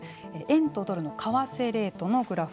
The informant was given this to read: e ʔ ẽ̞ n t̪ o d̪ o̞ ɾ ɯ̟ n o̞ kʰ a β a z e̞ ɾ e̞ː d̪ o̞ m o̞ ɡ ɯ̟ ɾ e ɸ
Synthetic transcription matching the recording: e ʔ ẽ̞ n t̪ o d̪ o̞ ɾ ɯ̟ n o̞ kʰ a β a s e̞ ɾ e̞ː t̪ o̞ n o̞ ɡ ɯ̟ ɾ a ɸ